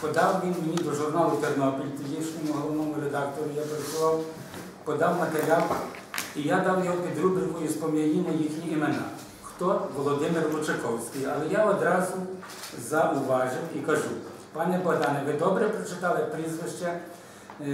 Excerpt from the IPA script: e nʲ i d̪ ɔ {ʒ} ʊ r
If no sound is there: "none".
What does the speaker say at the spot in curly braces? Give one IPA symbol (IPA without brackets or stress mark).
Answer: ʒ